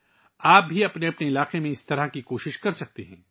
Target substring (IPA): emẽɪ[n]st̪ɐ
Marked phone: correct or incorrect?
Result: incorrect